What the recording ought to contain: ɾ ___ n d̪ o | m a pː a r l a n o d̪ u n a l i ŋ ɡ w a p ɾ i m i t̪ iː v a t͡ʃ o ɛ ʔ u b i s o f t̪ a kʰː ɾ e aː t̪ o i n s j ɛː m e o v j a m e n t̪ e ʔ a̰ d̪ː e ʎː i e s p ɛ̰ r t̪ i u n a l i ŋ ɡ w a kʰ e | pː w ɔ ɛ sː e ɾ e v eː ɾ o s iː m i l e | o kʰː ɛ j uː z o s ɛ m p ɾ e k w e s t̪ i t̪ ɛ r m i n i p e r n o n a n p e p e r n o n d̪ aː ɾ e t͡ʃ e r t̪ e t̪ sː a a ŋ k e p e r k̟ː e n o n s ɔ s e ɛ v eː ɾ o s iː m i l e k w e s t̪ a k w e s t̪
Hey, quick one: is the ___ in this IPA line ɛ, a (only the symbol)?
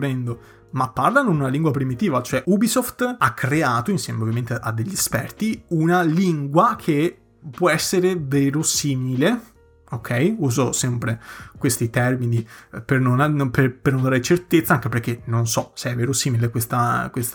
ɛ